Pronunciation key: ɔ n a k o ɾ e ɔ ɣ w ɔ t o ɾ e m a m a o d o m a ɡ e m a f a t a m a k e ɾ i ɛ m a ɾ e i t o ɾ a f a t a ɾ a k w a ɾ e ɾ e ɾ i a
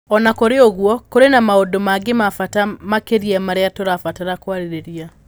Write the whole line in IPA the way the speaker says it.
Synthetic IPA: ɔ n a k o ɾ e o ɣ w ɔ k o ɾ e n a m a o d o m a ɡ e m a f a t a m a k e ɾ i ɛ m a ɾ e a t o ɾ a f a t a ɾ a k w a ɾ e ɾ e ɾ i a